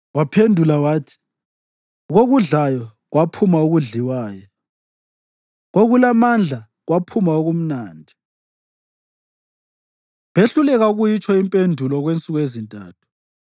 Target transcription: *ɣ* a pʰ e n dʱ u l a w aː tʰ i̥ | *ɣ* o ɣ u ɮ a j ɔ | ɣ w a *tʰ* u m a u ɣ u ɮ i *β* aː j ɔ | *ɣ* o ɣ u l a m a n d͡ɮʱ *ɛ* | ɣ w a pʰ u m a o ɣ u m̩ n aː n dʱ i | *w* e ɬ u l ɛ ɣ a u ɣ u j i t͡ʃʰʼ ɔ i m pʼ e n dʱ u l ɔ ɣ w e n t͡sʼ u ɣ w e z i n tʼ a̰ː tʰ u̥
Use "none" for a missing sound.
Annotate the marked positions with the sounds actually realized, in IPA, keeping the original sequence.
w, ɣ, pʰ, w, ɣ, a, β

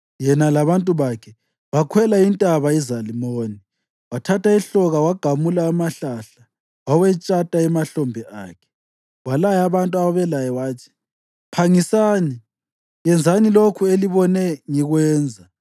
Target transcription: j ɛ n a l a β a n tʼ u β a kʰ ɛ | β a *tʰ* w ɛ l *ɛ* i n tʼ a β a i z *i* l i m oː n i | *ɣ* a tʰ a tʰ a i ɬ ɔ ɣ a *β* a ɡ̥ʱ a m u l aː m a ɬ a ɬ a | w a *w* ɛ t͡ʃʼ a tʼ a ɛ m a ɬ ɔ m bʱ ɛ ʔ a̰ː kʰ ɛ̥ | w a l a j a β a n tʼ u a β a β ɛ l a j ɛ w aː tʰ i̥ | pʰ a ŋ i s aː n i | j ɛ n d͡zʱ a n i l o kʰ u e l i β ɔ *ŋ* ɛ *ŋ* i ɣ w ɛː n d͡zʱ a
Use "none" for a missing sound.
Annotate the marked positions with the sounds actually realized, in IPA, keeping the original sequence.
kʰ, a, a, w, w, w, n, ŋ

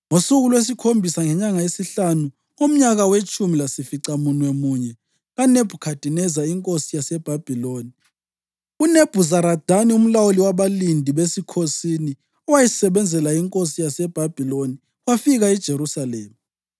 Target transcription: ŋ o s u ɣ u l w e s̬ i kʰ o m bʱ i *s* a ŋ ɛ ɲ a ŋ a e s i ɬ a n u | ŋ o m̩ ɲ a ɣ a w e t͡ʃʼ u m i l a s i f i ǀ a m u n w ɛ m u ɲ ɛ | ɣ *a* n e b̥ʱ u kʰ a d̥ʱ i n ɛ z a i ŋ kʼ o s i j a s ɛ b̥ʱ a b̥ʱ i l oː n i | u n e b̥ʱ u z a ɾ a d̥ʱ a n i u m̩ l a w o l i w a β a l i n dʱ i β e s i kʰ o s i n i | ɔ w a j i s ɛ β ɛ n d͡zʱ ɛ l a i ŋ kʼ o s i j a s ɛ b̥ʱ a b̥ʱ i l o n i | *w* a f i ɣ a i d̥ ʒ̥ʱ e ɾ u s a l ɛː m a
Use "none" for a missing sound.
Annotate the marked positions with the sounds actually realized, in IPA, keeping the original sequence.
s, a, w

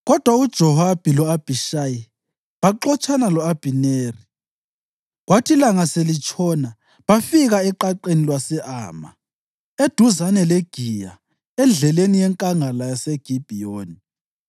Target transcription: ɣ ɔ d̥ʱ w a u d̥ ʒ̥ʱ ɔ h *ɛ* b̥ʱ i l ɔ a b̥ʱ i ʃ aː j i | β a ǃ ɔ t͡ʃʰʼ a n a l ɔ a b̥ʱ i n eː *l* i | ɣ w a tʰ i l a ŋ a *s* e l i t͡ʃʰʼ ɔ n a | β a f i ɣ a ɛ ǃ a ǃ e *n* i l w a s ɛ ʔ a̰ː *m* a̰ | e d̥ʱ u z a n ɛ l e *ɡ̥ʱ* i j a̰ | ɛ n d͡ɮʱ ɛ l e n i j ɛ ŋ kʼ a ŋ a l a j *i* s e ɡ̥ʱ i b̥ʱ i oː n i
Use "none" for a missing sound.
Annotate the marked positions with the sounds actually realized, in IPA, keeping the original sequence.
a, r, s, n, m, ɡ̥ʱ, a

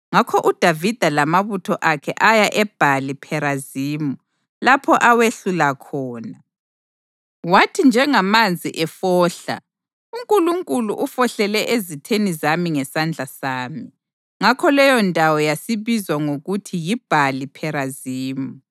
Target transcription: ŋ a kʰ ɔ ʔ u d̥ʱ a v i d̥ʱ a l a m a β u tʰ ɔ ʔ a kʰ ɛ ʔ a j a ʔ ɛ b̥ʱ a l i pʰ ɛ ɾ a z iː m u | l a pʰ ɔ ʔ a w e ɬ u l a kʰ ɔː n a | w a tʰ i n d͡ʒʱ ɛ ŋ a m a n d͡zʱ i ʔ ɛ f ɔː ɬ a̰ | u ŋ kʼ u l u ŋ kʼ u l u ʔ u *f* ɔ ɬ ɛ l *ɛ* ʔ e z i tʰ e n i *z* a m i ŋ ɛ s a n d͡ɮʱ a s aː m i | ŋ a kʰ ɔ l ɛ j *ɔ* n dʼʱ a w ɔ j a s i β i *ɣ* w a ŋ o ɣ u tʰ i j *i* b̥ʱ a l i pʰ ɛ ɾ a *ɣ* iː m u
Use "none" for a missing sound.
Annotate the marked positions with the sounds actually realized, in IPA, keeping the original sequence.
f, ɛ, z, ɔ, z, i, z

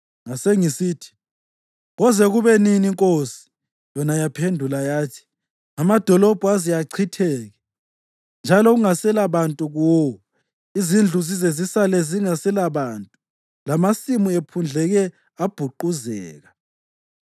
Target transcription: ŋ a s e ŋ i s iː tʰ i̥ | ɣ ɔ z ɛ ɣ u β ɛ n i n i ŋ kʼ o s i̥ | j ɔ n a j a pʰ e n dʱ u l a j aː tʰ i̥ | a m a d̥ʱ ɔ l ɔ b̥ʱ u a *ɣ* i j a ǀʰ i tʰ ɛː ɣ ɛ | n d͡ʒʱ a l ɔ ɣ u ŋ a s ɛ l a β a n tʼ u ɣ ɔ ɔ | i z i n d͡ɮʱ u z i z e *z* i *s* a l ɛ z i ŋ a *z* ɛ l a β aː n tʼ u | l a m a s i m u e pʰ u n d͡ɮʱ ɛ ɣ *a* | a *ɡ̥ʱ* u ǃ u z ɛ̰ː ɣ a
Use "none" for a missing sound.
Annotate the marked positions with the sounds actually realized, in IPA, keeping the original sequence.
z, z, s, s, ɛ, b̥ʱ

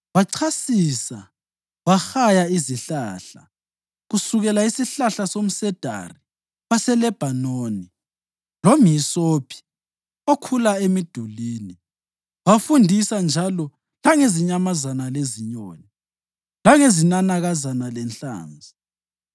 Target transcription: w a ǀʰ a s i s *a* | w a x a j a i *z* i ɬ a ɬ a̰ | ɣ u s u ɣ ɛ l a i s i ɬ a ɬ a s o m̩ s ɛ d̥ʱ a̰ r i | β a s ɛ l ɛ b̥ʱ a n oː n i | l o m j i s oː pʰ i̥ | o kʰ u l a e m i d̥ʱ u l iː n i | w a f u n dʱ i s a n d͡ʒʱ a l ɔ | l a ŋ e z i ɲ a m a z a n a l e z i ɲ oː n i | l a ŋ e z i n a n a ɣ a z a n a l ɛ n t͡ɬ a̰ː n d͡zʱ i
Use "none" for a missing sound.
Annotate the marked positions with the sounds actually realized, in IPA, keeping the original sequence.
a, z

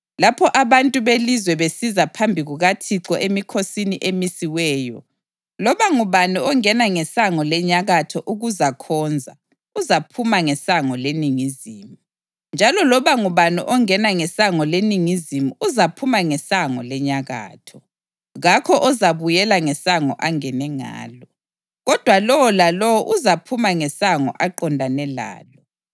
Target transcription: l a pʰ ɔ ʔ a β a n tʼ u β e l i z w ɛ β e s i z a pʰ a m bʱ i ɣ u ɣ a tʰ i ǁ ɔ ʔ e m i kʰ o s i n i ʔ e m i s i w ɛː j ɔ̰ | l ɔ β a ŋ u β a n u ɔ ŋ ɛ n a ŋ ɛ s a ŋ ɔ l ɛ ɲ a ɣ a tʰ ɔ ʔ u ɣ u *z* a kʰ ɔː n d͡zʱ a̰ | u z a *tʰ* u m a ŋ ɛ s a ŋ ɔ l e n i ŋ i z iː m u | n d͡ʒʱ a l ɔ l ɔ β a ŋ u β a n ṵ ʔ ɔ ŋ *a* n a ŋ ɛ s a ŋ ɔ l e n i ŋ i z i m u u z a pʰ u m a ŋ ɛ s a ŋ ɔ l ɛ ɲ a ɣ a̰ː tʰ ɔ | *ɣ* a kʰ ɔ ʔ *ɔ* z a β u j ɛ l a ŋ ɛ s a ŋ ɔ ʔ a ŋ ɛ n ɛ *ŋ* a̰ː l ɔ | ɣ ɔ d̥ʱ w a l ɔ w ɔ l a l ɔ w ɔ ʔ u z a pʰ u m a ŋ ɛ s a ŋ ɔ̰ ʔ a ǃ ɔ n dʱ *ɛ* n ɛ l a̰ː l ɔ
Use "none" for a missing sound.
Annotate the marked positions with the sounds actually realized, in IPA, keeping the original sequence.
z, pʰ, ɛ, ɣ, ɔ, ŋ, a

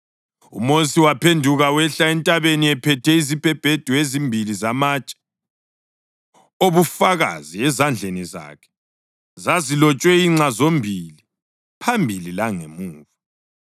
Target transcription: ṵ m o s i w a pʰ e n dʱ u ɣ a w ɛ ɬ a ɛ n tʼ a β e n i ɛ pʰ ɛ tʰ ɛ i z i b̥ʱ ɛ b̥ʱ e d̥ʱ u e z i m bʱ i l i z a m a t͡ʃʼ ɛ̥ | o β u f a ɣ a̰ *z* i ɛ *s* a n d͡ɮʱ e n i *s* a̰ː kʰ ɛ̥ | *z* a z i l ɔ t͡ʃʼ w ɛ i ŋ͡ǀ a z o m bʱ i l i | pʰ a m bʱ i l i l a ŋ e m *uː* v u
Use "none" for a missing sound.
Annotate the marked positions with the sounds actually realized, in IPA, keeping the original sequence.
z, z, z, z, uː

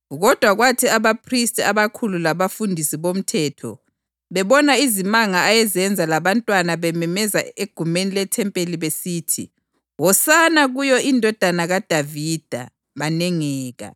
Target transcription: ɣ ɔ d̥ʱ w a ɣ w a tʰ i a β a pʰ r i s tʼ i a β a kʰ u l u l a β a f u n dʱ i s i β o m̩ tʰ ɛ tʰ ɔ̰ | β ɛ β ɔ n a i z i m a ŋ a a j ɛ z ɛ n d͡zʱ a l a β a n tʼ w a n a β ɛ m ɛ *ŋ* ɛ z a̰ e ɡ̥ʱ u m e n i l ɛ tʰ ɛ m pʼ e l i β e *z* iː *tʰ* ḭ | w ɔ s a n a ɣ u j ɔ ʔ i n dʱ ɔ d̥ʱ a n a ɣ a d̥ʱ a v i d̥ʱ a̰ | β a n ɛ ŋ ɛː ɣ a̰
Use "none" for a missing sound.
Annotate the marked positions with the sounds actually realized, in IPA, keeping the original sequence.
m, s, tʰ

